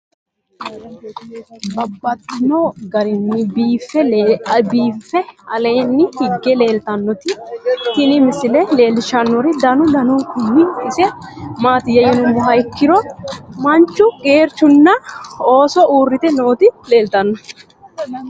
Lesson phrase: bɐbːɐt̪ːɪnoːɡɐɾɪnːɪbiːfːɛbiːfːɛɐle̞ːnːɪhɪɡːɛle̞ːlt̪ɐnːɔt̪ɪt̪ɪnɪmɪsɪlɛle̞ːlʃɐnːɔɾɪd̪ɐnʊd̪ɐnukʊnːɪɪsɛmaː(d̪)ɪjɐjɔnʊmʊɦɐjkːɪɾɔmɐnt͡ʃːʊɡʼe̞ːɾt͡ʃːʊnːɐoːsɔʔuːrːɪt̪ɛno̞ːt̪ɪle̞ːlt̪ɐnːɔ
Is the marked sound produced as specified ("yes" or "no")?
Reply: no